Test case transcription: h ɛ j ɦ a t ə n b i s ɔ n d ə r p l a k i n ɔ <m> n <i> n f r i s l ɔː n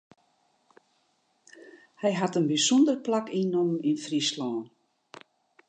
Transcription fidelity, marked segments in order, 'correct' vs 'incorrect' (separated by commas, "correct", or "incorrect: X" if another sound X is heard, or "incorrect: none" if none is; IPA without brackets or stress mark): correct, correct